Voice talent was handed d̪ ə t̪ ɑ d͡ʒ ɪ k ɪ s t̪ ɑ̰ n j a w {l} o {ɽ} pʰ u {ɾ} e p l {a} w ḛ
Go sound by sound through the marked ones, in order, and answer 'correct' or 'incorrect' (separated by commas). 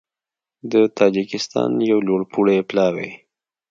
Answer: correct, correct, incorrect, incorrect